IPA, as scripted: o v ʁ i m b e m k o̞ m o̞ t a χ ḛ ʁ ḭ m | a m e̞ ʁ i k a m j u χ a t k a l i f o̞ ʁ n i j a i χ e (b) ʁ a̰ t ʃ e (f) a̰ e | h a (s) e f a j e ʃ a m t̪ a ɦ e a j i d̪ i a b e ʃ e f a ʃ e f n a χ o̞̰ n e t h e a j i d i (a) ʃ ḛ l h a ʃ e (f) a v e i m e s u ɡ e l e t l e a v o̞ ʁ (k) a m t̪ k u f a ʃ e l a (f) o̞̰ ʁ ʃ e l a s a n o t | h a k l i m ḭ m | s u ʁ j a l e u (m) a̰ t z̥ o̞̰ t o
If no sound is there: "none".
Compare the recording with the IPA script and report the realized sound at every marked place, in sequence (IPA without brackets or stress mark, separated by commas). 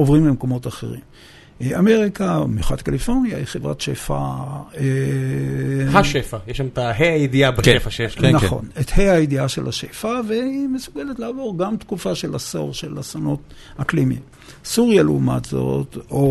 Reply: v, f, ʃ, a, f, ɡ, s, m